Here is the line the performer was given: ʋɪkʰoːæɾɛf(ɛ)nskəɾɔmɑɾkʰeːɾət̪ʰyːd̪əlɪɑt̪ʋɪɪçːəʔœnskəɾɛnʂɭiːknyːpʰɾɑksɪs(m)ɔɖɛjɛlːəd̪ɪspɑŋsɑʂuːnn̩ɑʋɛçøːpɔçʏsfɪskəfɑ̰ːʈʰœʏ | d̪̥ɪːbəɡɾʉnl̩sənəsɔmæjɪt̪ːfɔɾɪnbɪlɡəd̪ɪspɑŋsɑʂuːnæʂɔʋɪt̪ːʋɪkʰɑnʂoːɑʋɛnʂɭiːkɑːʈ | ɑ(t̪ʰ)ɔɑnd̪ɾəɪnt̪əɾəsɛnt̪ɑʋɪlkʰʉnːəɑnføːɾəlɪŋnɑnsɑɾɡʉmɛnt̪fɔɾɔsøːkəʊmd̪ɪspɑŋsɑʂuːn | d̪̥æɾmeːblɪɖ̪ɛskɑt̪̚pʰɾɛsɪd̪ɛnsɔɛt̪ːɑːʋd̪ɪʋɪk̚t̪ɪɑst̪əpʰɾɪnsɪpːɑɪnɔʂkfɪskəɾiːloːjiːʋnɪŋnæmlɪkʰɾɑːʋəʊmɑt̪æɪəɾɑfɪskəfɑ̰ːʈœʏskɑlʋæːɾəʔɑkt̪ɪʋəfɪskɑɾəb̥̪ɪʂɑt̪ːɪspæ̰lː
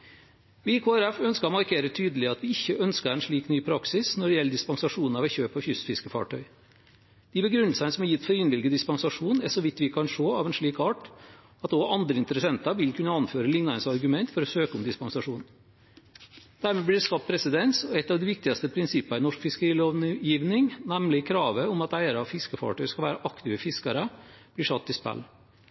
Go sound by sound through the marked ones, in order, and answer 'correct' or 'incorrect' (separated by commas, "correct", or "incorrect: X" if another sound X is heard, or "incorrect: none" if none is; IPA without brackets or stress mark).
incorrect: œ, incorrect: n, incorrect: t̪